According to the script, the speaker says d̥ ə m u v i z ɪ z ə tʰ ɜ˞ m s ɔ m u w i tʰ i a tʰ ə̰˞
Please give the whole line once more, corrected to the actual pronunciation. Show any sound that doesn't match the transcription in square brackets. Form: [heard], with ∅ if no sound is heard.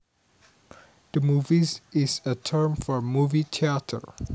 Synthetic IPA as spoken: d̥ ə m u v i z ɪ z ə tʰ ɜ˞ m [f] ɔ m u [v] i tʰ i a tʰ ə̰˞